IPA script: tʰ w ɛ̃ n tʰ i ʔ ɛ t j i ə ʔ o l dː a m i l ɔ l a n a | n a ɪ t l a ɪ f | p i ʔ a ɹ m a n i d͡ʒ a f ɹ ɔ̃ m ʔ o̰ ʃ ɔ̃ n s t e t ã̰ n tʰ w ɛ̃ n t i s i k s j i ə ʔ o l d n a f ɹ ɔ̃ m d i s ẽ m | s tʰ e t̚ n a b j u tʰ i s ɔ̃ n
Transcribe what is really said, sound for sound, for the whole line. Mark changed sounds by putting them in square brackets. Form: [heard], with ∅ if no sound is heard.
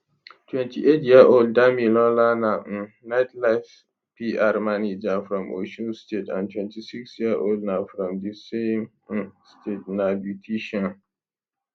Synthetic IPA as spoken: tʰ w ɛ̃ n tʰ i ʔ [e] t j i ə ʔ o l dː a m i l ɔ l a n a | n a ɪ t l a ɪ f | p i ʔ a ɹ m a n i d͡ʒ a f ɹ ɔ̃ m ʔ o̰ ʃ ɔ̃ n s t e t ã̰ n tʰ w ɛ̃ n t i s i k s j i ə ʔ o l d n a f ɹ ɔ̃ m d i s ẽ m | s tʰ e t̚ n a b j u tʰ i [ʃ] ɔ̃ n